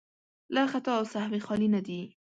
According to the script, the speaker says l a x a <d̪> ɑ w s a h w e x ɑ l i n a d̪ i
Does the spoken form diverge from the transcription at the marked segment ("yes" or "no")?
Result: yes